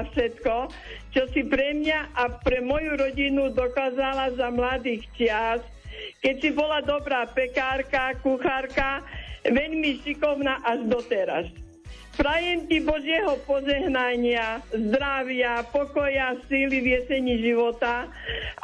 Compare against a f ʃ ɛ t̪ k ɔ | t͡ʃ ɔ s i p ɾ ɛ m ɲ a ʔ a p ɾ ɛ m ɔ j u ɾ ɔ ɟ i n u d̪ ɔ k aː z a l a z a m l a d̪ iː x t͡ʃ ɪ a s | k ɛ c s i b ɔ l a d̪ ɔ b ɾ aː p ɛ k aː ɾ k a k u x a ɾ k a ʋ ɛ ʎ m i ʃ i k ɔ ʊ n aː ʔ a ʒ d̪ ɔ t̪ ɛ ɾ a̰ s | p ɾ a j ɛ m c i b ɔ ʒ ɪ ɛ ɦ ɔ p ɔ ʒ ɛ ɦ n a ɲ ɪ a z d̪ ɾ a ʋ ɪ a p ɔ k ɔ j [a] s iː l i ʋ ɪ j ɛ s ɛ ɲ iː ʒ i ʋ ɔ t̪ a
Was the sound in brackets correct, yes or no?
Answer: yes